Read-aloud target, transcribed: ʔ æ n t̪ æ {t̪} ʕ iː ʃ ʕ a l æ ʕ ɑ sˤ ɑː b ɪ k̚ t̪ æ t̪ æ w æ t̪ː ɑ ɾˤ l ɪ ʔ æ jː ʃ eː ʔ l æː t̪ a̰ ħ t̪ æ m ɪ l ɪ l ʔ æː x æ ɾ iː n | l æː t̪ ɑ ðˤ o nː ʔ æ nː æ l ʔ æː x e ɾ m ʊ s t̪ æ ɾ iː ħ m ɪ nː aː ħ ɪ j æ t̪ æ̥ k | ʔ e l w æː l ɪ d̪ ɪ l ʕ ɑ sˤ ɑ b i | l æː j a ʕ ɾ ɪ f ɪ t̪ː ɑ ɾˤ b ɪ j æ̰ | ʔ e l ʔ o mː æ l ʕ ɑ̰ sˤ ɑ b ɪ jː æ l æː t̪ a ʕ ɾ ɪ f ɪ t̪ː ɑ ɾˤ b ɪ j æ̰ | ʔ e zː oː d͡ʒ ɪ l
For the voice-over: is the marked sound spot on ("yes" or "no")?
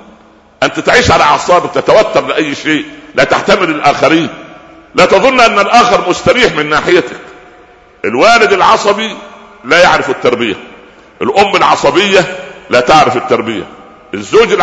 yes